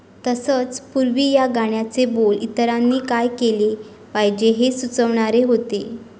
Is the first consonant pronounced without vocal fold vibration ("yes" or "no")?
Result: yes